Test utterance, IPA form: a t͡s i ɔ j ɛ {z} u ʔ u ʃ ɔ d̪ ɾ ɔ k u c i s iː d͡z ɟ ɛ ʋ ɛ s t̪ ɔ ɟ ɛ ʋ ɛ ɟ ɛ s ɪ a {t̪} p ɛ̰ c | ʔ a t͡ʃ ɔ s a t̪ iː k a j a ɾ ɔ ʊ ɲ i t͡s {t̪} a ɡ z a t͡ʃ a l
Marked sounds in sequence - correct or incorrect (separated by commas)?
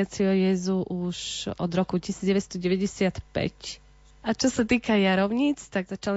correct, correct, correct